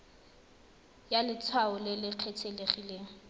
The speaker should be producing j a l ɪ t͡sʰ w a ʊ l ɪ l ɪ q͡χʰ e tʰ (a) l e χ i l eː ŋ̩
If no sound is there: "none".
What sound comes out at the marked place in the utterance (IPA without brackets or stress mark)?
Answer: e